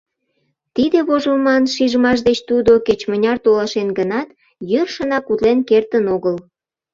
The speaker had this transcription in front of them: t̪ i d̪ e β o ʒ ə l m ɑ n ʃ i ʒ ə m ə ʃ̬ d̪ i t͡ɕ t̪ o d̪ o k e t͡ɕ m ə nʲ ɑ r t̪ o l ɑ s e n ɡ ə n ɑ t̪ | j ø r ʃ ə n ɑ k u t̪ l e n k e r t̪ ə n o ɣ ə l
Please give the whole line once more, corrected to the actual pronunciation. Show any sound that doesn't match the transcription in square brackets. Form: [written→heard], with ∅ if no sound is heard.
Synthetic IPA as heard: t̪ i d̪ e β o ʒ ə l m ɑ n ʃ i ʒ ə m [ə→ɑ] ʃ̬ d̪ [i→e] t͡ɕ t̪ [o→u] d̪ o k e t͡ɕ m ə nʲ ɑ r t̪ o l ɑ [s→ʃ] e n ɡ ə n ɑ t̪ | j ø r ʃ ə n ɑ k u t̪ l e n k e r t̪ ə n o ɣ ə l